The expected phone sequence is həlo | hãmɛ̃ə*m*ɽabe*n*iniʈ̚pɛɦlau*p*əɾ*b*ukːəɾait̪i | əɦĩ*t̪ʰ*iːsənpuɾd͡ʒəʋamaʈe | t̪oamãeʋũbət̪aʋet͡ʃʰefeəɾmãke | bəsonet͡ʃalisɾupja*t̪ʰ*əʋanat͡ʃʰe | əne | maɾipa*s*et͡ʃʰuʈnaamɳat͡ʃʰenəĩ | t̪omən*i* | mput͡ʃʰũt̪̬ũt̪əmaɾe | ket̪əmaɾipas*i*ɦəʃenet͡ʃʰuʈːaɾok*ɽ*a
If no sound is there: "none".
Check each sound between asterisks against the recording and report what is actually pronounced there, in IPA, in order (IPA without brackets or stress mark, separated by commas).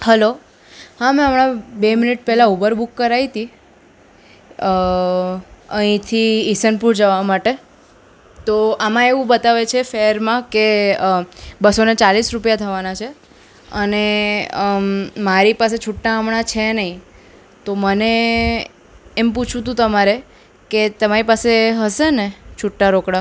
m, m, b, b, t̪ʰ, t̪ʰ, s, e, e, ɽ